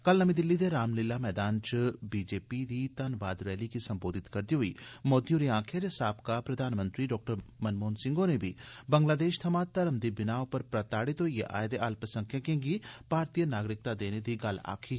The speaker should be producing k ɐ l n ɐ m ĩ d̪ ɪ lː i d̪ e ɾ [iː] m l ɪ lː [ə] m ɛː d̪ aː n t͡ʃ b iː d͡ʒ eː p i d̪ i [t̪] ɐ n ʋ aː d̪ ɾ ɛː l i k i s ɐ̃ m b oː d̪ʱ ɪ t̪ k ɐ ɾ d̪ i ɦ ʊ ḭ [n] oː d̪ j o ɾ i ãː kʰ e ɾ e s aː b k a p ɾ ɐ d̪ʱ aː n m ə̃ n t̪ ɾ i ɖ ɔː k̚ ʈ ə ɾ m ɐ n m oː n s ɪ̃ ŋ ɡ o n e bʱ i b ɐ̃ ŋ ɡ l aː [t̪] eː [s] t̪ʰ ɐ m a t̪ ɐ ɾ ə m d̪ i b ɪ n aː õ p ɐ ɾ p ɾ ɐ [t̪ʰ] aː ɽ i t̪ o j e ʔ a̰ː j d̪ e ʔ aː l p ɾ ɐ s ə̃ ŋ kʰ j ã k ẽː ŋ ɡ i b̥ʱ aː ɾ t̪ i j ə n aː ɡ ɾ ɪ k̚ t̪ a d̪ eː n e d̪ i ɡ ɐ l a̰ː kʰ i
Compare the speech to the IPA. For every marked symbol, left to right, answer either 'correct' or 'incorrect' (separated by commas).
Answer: incorrect, incorrect, correct, incorrect, incorrect, incorrect, incorrect